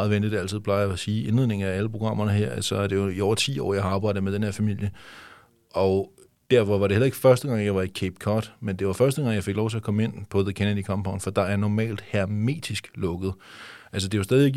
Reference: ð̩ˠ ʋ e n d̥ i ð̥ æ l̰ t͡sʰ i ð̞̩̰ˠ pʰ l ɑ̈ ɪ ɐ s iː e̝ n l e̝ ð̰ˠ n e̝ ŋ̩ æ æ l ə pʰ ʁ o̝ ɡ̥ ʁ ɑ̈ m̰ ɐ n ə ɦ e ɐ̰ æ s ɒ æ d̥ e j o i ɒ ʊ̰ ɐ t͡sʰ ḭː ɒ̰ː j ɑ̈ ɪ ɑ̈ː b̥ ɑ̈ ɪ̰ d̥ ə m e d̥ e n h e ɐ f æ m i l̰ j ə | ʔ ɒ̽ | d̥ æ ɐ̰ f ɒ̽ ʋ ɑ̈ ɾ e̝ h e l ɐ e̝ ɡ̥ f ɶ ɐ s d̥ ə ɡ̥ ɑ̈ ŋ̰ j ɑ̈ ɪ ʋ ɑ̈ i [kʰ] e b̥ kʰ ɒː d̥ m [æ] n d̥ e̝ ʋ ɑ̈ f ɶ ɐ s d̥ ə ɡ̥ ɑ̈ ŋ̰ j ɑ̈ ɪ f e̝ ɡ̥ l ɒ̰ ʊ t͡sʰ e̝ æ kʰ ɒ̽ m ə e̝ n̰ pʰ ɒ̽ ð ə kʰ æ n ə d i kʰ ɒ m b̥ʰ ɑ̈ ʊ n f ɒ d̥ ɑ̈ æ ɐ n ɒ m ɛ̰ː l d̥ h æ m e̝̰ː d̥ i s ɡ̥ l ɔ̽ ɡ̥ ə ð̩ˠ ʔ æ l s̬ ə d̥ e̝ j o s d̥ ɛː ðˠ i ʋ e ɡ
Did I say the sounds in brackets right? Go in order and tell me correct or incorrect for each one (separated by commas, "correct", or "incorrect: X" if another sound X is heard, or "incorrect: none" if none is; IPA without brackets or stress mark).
correct, incorrect: e